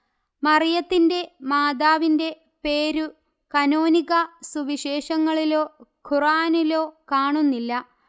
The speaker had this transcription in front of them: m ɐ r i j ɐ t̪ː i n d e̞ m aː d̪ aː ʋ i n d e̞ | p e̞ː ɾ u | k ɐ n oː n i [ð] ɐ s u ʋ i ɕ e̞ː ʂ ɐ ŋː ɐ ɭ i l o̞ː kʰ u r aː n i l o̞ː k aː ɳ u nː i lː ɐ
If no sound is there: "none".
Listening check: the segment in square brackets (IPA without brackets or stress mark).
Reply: ɣ